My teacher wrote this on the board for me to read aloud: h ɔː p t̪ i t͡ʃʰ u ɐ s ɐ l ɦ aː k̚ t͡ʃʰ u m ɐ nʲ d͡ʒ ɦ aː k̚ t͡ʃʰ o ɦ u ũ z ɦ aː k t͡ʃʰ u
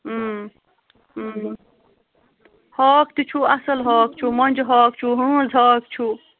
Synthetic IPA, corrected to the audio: h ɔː k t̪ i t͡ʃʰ u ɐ s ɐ l ɦ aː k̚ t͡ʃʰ u m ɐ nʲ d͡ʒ ɦ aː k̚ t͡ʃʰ u ɦ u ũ z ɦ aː k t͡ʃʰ u